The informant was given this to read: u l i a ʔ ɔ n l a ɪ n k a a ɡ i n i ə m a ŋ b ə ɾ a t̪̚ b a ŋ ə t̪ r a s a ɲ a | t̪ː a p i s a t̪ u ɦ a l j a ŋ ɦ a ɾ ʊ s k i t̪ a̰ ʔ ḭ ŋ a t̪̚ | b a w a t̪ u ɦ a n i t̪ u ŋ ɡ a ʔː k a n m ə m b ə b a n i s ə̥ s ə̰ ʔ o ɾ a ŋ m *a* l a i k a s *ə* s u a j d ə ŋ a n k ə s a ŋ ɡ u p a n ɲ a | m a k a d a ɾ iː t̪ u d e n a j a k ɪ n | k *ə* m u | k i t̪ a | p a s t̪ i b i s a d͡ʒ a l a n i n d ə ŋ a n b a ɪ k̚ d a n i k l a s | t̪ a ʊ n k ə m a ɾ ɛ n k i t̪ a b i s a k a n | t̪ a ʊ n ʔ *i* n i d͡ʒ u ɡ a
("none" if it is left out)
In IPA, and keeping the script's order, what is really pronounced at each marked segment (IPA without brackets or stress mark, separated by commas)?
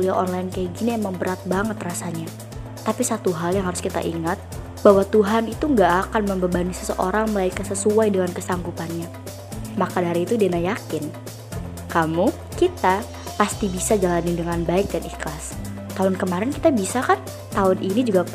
ə, ə, a, i